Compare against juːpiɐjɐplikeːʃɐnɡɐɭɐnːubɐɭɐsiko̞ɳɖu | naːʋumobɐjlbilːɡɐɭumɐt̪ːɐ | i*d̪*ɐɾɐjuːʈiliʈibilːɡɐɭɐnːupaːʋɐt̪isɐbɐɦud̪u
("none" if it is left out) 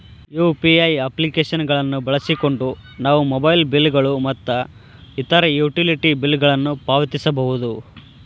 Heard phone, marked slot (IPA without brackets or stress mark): t̪